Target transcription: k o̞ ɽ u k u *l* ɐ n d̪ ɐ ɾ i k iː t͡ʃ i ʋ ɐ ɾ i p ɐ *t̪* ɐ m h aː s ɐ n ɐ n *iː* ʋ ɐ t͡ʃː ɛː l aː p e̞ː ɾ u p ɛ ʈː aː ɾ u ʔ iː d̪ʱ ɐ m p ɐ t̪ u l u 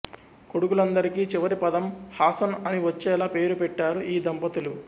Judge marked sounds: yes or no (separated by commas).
yes, no, no